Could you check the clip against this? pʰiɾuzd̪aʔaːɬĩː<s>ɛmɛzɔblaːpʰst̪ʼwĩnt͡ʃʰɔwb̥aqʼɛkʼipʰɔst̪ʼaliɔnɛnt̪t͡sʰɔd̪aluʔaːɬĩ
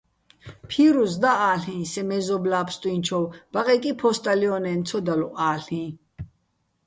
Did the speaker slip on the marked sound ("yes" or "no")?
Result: no